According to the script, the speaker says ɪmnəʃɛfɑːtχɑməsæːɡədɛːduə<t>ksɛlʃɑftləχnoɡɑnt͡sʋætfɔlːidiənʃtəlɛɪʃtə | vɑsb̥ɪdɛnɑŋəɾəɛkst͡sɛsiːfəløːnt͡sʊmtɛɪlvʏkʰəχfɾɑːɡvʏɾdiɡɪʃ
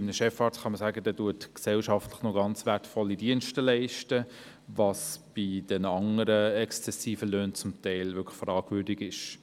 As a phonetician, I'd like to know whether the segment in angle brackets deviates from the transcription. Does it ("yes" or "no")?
no